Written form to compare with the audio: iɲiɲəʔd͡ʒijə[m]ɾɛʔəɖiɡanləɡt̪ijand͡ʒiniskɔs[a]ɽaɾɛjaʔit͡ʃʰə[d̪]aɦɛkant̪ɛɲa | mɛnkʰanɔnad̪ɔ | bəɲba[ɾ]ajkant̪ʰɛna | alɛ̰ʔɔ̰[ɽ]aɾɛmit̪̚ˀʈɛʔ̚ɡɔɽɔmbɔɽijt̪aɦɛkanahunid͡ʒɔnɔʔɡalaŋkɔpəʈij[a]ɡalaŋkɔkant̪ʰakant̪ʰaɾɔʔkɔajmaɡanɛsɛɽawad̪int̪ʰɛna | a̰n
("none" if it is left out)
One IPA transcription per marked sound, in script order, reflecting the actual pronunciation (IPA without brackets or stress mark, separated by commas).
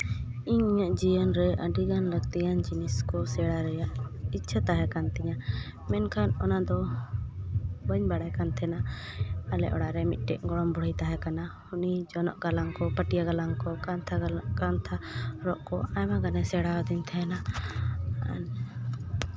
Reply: n, ɛ, t̪, ɽ, ɽ, a